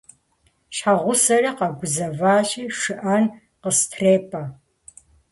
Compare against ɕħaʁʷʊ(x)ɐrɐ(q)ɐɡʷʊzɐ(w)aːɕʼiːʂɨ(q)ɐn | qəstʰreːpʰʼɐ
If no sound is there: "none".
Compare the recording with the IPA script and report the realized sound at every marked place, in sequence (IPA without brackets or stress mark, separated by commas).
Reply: s, q, v, ʔ